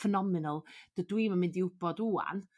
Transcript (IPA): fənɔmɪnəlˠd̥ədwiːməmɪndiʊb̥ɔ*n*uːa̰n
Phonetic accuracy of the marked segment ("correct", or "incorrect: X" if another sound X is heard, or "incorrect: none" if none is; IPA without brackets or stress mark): incorrect: d